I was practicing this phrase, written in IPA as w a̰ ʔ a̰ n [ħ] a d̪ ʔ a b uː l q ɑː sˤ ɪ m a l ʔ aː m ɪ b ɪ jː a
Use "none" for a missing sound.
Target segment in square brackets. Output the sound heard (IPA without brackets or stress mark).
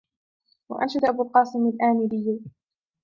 ʃ